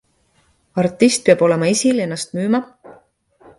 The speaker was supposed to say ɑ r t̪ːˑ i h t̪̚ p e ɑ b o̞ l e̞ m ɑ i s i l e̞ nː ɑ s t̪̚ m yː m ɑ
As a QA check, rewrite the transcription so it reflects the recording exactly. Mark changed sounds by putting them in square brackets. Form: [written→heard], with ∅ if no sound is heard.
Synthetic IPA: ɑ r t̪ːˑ i [h→s] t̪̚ p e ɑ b o̞ l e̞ m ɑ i s i l e̞ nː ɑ s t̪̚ m yː m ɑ